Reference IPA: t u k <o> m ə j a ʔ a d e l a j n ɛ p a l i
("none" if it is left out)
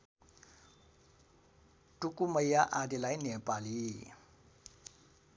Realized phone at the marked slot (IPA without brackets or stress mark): u